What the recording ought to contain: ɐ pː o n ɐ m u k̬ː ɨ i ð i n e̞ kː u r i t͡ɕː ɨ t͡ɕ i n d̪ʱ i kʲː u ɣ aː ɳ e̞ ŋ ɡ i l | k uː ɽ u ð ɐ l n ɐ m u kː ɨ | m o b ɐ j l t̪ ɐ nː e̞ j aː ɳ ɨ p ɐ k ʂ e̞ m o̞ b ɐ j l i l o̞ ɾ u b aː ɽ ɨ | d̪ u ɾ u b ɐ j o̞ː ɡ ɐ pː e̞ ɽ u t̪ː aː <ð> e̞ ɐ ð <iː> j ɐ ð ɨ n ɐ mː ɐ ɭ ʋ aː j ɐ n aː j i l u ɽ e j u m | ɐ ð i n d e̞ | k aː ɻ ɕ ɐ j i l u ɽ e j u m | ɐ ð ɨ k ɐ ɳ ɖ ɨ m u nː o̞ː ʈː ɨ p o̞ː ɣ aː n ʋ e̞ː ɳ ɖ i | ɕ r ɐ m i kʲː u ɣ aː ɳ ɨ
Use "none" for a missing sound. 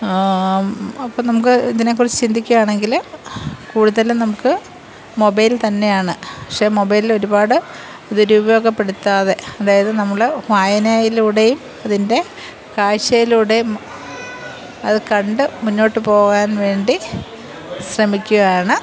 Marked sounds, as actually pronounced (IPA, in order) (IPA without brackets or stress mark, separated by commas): ð, aː